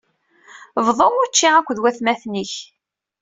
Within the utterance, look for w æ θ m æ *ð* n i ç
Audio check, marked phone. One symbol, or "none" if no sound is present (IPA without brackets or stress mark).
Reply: θ